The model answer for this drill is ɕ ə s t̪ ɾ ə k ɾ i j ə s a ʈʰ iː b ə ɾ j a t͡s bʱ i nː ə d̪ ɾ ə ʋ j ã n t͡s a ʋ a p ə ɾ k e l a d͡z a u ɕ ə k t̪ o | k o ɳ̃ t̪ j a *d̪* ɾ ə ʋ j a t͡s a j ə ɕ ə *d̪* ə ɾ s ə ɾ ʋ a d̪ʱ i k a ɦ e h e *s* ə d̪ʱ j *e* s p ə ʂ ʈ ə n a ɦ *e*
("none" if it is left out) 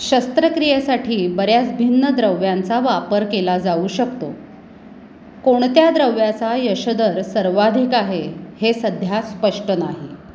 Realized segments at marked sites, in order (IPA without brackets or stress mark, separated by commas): d̪, d̪, s, a, i